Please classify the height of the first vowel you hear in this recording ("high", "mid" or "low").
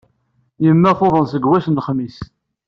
mid